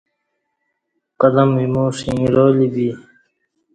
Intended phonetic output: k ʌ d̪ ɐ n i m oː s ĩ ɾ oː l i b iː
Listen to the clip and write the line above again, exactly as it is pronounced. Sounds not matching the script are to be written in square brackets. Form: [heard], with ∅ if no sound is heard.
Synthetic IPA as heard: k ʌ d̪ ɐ [m] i m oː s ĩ ɾ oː l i b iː